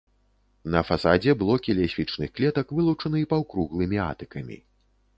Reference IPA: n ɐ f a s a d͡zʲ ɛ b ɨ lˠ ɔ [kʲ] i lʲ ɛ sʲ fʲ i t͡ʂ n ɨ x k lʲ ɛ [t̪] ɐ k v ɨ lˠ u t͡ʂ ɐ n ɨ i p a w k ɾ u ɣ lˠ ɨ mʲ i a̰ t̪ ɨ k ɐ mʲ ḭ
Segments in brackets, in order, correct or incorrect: correct, correct

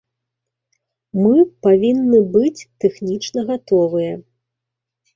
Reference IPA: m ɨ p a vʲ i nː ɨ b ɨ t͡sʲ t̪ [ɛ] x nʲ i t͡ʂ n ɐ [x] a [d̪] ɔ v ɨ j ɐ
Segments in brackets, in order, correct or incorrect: correct, incorrect: ɣ, incorrect: t̪

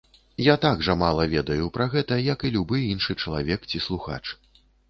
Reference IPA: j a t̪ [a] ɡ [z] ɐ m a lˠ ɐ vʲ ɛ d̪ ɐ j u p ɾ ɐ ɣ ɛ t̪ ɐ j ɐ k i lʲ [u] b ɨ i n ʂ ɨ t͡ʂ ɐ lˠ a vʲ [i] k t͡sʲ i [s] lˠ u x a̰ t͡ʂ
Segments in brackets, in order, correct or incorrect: correct, incorrect: ʐ, correct, incorrect: ɛ, correct

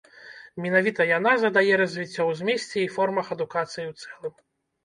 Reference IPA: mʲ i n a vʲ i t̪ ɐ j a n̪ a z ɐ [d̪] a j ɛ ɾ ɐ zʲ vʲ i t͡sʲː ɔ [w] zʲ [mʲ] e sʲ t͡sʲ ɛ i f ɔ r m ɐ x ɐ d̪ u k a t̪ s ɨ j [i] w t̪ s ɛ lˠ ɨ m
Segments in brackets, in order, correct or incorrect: correct, correct, correct, correct

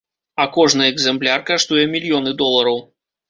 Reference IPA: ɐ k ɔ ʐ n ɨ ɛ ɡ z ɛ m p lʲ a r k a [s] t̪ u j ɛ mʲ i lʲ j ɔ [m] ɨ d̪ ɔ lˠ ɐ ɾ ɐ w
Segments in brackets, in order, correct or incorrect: incorrect: ʂ, incorrect: n

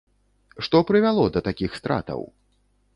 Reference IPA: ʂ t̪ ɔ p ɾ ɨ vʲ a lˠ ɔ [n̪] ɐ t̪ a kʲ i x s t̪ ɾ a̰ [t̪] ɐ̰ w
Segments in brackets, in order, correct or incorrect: incorrect: d̪, correct

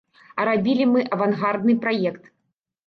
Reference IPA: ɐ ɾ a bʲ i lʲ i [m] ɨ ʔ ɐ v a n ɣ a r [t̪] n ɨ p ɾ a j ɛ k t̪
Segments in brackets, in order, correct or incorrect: correct, incorrect: d̪

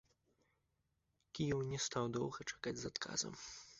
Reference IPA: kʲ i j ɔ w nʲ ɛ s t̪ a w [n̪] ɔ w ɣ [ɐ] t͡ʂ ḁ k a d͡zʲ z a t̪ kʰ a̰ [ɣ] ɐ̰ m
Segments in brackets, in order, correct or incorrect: incorrect: d̪, correct, incorrect: z

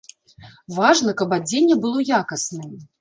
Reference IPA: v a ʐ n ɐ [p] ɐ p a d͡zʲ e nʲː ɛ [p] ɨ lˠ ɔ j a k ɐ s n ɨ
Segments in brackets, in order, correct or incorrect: incorrect: k, incorrect: b

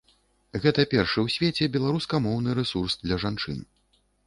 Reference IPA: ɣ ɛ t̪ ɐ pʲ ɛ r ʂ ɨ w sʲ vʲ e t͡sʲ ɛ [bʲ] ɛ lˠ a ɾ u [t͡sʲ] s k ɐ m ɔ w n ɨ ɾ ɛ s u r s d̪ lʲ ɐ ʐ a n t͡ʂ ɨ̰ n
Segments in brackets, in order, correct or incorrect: correct, incorrect: none

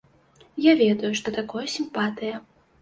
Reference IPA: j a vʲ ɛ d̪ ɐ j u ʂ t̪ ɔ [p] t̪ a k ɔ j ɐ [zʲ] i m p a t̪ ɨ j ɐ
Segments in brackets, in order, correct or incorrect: incorrect: none, incorrect: sʲ

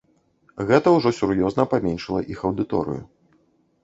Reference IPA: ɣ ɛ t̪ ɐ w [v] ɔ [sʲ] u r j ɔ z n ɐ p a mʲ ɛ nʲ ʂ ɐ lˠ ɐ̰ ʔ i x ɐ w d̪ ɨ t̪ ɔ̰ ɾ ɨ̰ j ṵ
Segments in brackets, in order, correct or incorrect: incorrect: ʐ, correct

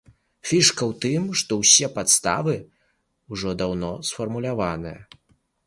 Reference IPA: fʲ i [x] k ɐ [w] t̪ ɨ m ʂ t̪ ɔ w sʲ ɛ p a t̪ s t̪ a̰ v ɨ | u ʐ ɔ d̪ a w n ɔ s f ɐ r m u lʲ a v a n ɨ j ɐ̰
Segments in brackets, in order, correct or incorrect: incorrect: ʂ, correct

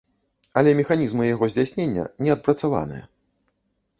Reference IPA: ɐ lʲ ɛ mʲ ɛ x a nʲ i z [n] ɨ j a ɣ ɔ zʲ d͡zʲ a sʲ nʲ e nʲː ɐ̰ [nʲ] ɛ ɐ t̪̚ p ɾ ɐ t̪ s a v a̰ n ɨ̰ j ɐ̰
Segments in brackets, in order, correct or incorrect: incorrect: m, correct

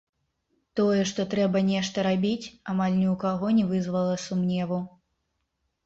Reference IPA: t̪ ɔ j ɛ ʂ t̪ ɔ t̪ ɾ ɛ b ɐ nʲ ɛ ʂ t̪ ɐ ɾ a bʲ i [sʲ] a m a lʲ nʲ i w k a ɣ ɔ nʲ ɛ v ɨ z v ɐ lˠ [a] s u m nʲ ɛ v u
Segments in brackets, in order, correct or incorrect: incorrect: t͡sʲ, incorrect: ɐ

